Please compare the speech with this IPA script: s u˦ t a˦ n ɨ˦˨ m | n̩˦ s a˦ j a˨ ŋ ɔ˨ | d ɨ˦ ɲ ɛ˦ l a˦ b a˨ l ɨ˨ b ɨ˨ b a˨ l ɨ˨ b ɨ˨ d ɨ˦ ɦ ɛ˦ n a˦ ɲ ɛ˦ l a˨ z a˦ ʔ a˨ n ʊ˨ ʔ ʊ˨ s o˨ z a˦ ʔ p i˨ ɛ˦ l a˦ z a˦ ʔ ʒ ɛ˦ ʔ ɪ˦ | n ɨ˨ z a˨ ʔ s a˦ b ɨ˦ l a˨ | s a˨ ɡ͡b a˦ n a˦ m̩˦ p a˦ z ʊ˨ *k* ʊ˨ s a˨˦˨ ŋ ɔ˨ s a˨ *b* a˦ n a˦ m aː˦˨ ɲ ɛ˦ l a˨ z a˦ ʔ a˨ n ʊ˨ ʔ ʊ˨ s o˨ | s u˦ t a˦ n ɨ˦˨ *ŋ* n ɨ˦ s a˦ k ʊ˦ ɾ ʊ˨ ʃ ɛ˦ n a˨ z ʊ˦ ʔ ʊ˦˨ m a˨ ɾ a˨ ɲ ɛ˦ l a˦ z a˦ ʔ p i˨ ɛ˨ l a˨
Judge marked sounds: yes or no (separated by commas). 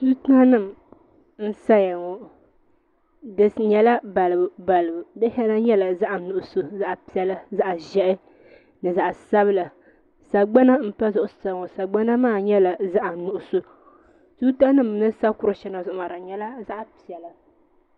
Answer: no, no, no